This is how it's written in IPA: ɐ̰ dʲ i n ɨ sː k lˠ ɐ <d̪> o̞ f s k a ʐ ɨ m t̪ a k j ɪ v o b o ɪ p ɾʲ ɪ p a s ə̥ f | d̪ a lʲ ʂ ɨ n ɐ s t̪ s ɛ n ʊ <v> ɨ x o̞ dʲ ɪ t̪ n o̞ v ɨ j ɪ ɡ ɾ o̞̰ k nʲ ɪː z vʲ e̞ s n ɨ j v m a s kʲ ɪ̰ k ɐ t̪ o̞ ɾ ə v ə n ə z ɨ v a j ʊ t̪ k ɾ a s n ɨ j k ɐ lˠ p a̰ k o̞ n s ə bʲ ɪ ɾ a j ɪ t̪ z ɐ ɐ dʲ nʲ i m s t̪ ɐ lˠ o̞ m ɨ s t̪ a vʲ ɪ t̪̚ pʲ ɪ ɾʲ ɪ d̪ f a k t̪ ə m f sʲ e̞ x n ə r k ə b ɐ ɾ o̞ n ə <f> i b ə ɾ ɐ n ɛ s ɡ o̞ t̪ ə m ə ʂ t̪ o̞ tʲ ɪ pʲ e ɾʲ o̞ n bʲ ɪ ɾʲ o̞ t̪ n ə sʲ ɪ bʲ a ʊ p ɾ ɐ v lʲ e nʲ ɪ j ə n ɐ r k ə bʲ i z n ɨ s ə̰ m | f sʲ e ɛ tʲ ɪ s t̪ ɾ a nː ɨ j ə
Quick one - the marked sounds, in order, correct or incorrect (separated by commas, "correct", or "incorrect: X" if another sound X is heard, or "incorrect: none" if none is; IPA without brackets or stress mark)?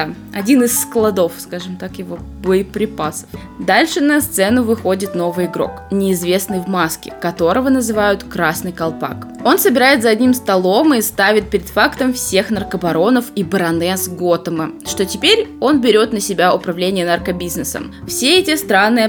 correct, correct, correct